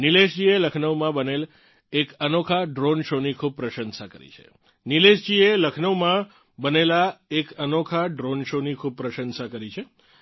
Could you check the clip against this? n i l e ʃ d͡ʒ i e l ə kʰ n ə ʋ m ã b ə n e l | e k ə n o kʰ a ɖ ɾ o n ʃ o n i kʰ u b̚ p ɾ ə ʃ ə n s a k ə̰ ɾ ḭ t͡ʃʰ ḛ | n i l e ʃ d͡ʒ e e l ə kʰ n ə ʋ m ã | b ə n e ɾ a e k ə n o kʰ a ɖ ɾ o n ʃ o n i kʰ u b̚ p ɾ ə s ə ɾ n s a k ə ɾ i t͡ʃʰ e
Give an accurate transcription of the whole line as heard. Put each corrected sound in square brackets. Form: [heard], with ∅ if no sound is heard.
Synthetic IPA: n i l e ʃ d͡ʒ i e l ə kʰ n ə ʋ m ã b ə n e l | e k ə n o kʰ a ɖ ɾ o n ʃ o n i kʰ u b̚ p ɾ ə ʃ ə n s a k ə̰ ɾ ḭ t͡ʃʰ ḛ | n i l e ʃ d͡ʒ [i] e l ə kʰ n ə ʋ m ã | b ə n e [l] a e k ə n o kʰ a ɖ ɾ o n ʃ o n i kʰ u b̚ p ɾ ə [ʃ] ə [∅] n s a k ə ɾ i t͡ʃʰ e